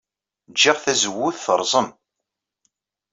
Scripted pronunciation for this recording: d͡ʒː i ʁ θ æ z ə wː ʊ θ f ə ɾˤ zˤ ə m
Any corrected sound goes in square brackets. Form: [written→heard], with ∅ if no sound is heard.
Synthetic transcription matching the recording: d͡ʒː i ʁ θ æ z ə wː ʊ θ [f→θ] ə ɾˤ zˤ ə m